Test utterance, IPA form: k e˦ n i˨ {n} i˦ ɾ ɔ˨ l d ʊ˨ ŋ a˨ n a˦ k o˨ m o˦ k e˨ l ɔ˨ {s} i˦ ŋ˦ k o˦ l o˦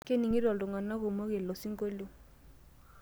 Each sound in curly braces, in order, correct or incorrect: incorrect: ŋ, correct

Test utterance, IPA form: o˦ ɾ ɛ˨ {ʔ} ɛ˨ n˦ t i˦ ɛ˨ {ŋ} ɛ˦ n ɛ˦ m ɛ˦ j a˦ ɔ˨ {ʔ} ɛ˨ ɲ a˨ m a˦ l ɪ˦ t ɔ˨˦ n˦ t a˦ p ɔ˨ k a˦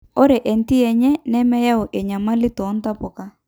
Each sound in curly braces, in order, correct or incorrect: correct, incorrect: ɲ, correct

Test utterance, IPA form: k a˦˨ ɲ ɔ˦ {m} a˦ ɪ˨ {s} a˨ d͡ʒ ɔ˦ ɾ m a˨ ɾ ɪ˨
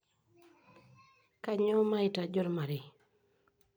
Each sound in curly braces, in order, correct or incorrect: correct, incorrect: t

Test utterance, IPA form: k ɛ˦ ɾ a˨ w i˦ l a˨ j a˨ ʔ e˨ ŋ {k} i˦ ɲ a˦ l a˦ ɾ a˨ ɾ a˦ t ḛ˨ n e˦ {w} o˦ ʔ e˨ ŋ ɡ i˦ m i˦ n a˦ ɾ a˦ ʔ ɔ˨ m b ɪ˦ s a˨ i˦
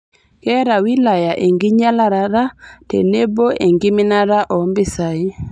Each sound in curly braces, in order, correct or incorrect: incorrect: ɡ, incorrect: b

